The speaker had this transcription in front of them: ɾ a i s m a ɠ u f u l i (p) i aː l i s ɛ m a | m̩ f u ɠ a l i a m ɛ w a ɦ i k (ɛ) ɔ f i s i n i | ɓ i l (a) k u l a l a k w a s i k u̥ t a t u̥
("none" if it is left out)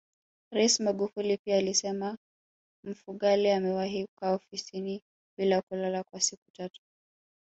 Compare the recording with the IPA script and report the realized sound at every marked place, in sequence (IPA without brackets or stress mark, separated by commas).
p, a, a